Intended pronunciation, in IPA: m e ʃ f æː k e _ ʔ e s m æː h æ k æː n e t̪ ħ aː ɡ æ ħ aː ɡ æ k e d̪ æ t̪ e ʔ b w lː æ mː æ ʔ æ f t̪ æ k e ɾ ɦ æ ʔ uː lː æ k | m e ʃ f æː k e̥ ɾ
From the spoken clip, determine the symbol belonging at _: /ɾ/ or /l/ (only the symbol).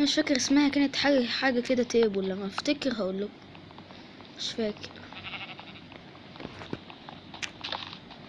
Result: ɾ